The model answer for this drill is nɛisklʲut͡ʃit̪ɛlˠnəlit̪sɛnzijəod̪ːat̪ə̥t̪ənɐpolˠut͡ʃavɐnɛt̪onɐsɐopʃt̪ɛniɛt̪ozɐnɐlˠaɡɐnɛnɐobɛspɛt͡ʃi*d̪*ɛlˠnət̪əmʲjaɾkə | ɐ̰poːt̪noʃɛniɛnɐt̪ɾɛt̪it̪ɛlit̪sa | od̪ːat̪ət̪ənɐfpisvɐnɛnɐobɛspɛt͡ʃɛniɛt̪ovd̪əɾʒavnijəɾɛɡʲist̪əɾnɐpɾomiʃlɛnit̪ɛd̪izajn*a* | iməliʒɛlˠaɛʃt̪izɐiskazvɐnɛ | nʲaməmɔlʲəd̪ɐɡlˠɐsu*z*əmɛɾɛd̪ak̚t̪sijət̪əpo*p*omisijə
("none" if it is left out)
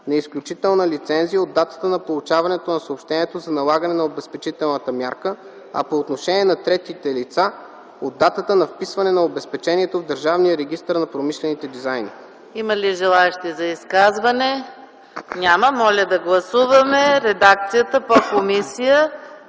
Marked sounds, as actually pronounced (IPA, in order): t̪, i, v, k

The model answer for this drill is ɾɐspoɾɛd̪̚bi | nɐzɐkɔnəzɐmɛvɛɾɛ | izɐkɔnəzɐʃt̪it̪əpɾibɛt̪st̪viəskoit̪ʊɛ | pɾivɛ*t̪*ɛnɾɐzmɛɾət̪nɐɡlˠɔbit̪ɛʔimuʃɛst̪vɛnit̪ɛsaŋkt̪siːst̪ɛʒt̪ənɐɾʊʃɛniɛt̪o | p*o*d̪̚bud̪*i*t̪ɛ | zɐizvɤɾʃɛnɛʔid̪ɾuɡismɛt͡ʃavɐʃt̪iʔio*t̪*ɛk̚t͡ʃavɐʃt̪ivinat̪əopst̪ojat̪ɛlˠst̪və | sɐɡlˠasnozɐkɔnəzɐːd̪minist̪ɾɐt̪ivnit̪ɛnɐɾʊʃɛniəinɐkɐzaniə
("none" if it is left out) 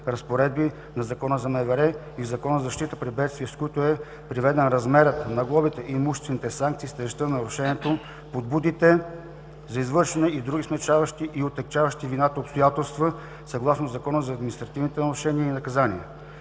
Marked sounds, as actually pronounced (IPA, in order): d̪, o, i, t̪

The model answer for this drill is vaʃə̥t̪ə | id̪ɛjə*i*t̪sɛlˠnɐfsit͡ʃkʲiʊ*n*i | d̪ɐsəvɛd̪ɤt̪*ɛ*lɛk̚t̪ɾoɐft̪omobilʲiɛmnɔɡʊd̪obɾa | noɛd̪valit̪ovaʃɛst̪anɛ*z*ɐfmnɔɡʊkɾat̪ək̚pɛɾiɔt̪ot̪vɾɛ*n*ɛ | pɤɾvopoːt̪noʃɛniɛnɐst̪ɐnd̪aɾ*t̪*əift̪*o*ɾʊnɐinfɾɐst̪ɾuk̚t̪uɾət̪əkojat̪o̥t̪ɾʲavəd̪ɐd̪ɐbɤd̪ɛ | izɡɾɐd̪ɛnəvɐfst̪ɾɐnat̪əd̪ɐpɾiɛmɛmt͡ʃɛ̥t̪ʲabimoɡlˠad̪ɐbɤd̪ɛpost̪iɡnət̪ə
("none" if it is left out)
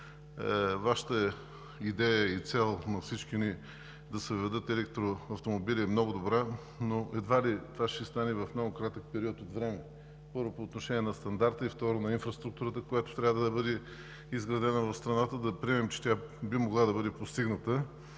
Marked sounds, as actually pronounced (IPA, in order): i, n, ɛ, v, m, t̪, ɔ

